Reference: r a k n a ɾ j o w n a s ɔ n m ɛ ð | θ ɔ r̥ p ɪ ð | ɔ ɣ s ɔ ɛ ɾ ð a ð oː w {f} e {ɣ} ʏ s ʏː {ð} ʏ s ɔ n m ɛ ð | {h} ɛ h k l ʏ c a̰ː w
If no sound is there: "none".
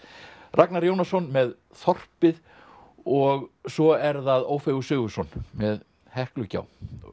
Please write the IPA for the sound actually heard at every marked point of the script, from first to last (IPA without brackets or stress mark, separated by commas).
f, ɣ, ɣ, h